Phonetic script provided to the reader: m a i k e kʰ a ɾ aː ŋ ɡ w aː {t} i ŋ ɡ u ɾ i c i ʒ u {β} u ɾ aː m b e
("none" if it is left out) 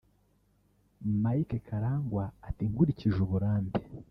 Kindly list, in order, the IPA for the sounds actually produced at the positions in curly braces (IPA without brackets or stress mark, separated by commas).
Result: t, β